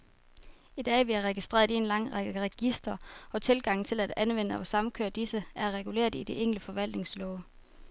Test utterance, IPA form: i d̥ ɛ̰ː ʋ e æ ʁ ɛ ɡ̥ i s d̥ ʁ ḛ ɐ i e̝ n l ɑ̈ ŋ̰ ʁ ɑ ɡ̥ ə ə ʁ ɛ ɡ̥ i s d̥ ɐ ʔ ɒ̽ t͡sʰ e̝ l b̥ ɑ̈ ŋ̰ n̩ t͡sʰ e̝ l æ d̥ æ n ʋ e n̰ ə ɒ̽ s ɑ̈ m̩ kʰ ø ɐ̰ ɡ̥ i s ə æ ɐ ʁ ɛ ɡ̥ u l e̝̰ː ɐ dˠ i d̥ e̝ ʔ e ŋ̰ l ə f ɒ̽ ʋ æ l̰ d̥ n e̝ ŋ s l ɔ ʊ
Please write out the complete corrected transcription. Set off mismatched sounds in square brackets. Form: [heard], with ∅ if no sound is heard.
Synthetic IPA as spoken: i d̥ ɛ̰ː ʋ [i] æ ʁ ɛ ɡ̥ i s d̥ ʁ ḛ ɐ i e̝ n l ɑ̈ ŋ̰ ʁ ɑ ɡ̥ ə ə ʁ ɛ ɡ̥ i s d̥ ɐ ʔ ɒ̽ t͡sʰ e̝ l [ɡ̥] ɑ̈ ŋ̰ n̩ t͡sʰ e̝ l æ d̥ æ n ʋ e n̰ ə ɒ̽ s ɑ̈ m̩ kʰ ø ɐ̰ [d̥] i s ə æ ɐ ʁ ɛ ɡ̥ u l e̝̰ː ɐ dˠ i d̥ e̝ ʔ e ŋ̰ l ə f ɒ̽ ʋ æ l̰ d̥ n e̝ ŋ s l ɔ ʊ